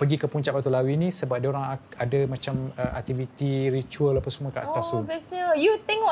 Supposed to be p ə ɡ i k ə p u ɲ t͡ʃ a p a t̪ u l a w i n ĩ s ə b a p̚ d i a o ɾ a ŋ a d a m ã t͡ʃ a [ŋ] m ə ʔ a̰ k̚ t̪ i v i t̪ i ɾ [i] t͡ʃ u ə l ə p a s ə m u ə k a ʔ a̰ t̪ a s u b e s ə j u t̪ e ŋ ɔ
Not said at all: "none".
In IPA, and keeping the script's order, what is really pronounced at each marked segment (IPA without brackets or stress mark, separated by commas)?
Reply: none, i